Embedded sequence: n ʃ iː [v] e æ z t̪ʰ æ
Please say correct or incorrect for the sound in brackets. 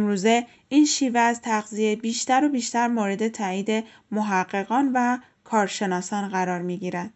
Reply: correct